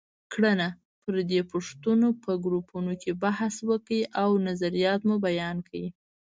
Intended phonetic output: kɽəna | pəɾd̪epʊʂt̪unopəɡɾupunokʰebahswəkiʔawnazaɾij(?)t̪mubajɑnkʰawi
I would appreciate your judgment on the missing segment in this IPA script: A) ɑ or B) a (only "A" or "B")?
A